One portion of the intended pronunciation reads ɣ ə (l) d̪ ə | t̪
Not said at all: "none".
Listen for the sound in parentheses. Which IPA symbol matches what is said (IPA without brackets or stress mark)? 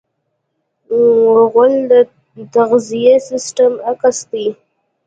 l